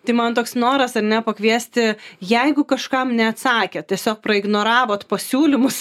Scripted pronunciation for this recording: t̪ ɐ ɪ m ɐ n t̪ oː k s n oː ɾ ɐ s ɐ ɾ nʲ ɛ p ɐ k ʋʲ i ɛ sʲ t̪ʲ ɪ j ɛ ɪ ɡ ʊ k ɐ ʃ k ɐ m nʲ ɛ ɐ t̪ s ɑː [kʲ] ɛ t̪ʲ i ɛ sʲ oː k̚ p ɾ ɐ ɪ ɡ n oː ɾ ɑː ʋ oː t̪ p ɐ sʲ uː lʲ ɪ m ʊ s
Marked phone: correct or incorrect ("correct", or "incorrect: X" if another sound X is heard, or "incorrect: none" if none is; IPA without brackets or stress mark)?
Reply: correct